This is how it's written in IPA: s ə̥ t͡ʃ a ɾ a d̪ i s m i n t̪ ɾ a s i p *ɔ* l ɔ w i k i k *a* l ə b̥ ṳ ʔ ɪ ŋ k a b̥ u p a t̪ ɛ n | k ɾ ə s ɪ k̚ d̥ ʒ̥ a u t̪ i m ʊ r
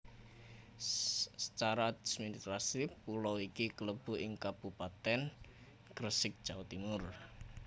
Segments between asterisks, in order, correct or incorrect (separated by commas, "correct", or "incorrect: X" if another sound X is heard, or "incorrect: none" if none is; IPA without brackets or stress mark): incorrect: u, incorrect: ə